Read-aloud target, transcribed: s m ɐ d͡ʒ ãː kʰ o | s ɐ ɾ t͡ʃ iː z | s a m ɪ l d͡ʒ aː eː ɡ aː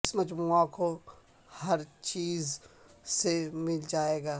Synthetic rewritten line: s m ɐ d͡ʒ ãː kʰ o | h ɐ ɾ t͡ʃ iː z | s e m ɪ l d͡ʒ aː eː ɡ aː